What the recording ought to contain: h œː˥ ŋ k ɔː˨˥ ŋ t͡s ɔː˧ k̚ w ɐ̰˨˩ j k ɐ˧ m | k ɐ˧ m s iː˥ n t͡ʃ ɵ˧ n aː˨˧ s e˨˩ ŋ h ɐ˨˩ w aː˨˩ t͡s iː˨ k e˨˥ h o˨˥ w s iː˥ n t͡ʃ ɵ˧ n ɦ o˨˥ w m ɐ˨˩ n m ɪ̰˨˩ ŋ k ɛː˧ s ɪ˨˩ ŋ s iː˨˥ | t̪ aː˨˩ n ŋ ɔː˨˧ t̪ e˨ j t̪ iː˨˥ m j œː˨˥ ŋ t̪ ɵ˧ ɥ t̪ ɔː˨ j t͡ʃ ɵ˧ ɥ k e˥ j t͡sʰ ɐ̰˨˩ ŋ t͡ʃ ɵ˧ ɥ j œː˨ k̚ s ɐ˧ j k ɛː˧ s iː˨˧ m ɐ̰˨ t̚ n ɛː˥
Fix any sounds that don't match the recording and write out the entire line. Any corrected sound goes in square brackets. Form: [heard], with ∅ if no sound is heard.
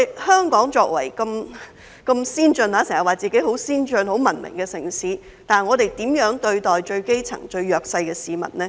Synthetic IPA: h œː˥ ŋ k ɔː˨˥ ŋ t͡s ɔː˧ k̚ w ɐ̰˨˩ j k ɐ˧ m | k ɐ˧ m s iː˥ n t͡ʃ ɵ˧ n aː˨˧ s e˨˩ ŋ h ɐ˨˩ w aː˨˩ t͡s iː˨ k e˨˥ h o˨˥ w s iː˥ n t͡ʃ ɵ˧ n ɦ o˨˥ w m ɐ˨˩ n m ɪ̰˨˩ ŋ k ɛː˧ s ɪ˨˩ ŋ s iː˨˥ | t̪ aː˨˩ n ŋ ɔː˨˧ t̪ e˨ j t̪ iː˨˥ m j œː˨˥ ŋ t̪ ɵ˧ ɥ t̪ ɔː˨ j t͡ʃ ɵ˧ ɥ k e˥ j t͡sʰ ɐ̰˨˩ ŋ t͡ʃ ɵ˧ ɥ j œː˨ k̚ s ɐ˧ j k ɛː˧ s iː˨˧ m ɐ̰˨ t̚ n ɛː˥